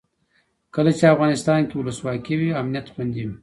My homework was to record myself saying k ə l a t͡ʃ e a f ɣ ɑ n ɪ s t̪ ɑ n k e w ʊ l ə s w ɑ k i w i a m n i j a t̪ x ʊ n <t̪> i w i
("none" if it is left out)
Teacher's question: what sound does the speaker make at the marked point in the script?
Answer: d̪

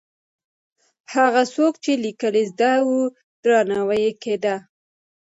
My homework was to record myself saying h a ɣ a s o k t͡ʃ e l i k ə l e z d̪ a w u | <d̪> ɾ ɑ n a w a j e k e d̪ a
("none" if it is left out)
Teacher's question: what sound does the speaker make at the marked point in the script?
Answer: d̪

